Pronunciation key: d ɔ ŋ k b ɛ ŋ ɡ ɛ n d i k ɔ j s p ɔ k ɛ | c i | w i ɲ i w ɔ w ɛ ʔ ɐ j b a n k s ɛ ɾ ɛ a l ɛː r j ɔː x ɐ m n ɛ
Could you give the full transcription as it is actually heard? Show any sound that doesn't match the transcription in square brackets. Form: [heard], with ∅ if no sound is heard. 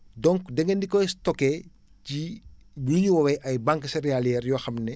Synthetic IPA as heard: d ɔ ŋ k [d] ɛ ŋ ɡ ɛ n d i k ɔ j s [t] ɔ k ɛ | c i | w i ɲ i w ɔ w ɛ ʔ ɐ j b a [ŋ] k s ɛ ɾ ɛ a l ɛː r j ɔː x ɐ m n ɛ